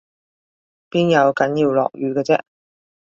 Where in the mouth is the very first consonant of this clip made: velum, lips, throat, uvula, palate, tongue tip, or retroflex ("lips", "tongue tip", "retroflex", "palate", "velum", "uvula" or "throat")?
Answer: lips